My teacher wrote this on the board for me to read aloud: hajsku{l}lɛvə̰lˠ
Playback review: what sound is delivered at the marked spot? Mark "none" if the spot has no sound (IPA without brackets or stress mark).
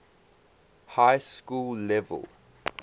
l